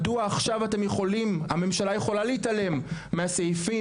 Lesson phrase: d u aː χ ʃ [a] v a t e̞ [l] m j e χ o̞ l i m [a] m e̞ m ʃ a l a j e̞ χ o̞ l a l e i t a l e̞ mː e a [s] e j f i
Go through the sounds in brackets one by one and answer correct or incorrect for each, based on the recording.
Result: correct, incorrect, correct, correct

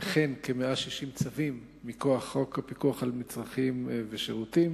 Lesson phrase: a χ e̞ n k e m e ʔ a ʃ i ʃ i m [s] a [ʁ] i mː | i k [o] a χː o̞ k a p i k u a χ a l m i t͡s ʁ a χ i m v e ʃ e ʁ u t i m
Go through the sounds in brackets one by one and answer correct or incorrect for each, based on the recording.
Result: incorrect, incorrect, correct

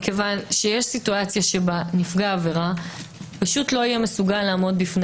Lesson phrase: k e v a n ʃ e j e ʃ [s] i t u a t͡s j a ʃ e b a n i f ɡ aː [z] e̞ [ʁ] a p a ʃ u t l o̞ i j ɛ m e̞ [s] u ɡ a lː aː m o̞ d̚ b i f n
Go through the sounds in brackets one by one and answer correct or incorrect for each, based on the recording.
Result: correct, incorrect, correct, correct

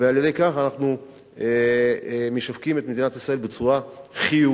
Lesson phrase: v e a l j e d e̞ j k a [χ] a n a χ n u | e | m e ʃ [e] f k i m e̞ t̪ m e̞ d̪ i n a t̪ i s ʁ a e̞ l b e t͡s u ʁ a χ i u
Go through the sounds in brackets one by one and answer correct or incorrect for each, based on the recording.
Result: correct, incorrect

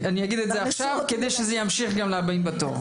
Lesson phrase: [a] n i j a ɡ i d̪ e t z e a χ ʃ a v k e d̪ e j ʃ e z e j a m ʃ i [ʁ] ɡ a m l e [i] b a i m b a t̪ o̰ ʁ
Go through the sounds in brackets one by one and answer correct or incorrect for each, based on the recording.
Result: correct, incorrect, incorrect

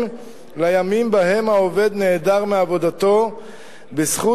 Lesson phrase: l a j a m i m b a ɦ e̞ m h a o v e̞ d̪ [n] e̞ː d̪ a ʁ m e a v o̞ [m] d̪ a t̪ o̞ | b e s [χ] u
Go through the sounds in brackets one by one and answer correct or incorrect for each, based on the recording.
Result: correct, incorrect, correct

